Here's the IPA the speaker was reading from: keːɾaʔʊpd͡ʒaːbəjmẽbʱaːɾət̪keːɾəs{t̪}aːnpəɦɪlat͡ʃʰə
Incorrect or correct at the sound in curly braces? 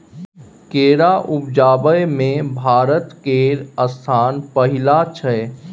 incorrect: t̪ʰ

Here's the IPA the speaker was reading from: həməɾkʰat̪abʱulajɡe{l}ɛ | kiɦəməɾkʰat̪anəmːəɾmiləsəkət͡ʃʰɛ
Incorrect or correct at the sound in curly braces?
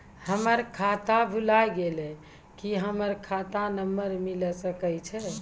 correct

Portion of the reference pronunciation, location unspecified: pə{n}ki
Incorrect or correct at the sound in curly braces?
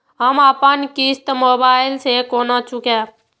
correct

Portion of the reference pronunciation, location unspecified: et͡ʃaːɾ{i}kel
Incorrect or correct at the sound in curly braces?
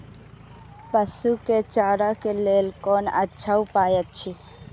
incorrect: a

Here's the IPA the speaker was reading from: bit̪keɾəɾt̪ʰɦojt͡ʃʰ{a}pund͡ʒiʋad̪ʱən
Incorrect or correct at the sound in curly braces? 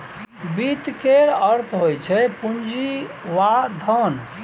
incorrect: ɛ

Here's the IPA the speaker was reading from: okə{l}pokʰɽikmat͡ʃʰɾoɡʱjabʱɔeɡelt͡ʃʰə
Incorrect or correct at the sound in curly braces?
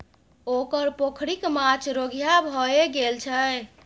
incorrect: ɾ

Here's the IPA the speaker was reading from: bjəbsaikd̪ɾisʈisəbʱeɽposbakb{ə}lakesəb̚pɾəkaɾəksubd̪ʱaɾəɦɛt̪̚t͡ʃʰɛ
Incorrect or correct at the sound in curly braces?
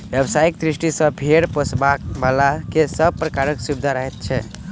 incorrect: a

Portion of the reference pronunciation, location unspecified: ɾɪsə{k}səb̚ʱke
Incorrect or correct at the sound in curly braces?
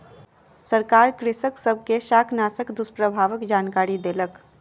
correct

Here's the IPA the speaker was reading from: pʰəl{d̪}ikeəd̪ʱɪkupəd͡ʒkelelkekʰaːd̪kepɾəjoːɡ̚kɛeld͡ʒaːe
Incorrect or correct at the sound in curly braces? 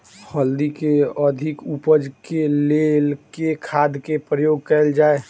correct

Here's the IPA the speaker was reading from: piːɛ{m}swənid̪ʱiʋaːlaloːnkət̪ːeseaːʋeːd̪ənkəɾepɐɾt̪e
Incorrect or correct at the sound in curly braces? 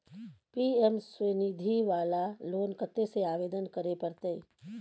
correct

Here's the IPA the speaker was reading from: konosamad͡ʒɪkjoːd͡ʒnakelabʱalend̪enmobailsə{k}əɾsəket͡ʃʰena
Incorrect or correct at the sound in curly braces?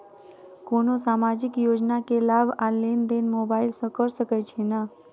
correct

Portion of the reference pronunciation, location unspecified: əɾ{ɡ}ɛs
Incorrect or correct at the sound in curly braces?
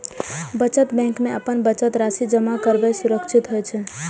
incorrect: b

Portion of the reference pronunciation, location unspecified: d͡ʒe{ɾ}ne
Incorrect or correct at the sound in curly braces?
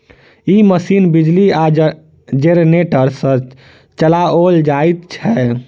correct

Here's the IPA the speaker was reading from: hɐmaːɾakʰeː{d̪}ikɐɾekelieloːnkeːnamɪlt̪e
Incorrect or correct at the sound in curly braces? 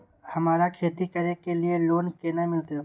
incorrect: t̪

